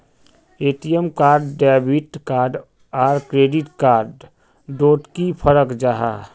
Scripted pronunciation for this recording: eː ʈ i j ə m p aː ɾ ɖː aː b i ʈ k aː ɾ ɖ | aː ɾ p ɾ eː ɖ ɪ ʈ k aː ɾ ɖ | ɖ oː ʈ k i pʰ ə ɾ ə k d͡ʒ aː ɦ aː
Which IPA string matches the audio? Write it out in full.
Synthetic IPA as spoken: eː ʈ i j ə m k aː ɾ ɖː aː b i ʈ k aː ɾ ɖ | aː ɾ k ɾ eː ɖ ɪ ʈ k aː ɾ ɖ | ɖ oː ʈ k i pʰ ə ɾ ə k d͡ʒ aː ɦ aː